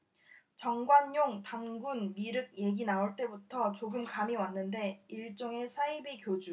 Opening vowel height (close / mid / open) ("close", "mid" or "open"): mid